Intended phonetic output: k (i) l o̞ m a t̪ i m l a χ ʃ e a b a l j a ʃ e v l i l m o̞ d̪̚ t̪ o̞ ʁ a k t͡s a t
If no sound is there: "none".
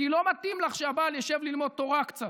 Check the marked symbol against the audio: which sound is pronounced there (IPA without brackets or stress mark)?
i